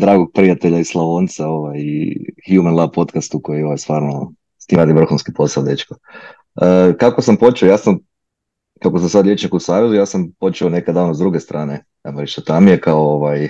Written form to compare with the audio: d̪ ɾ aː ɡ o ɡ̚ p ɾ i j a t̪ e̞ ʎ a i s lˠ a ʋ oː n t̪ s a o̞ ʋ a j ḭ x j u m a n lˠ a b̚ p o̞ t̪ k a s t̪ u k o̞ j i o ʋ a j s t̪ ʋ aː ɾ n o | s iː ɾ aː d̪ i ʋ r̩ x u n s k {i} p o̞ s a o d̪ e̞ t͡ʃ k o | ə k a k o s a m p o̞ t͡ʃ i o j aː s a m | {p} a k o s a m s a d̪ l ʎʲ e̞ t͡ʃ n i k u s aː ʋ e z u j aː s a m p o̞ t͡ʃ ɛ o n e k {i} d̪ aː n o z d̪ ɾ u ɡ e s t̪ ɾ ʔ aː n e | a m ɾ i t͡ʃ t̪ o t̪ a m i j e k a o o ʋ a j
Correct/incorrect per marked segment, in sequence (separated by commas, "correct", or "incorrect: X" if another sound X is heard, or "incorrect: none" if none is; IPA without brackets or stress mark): correct, incorrect: k, incorrect: a